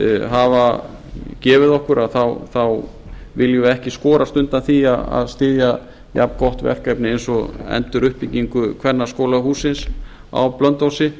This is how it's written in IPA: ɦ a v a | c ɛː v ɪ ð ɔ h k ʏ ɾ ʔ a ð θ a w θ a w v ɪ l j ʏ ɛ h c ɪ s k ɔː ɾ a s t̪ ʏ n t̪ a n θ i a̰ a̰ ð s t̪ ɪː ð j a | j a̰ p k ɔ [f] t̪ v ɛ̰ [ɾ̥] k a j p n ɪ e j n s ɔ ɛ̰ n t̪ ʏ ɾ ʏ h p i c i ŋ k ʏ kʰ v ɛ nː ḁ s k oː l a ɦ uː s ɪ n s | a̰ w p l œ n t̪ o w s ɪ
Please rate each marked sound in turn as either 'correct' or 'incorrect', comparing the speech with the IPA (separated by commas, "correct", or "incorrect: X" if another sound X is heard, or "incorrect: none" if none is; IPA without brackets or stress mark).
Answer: incorrect: h, incorrect: r̥